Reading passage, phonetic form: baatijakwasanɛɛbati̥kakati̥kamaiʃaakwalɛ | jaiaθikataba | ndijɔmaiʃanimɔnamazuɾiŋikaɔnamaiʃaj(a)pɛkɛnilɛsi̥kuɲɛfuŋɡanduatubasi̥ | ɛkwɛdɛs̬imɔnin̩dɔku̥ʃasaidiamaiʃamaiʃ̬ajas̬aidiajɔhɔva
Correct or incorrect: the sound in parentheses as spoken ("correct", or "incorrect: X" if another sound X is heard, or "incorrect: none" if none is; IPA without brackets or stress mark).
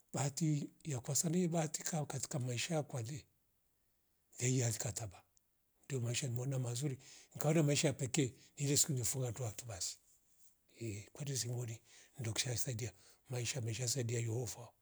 correct